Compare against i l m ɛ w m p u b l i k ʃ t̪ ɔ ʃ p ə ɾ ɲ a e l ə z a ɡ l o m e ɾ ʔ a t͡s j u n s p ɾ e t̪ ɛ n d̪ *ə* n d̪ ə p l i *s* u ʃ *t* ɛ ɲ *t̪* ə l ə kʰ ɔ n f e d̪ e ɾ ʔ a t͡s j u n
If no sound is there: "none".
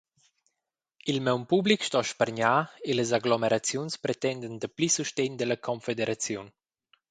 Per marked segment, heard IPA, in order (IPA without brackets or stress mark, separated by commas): ə, s, t, d̪